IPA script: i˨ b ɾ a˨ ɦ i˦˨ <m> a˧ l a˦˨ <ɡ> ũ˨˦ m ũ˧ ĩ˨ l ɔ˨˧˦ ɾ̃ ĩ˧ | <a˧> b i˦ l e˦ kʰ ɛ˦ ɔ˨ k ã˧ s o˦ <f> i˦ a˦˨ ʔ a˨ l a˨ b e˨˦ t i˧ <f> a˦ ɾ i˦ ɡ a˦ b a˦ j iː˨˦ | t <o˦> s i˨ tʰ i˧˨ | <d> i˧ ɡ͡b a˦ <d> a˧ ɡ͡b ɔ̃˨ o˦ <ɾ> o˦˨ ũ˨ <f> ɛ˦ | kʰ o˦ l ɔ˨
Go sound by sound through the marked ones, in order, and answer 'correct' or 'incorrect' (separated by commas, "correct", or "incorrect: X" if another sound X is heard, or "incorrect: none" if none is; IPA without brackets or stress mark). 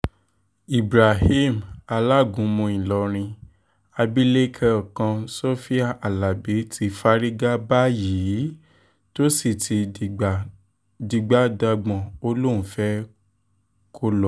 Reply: correct, correct, correct, correct, correct, correct, correct, correct, incorrect: l, correct